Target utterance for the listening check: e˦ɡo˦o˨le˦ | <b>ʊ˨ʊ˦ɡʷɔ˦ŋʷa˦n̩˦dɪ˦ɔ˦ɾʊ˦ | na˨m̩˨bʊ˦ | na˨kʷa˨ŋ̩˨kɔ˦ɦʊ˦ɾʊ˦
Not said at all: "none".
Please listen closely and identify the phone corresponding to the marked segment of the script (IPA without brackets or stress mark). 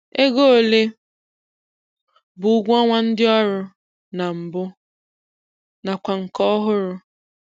b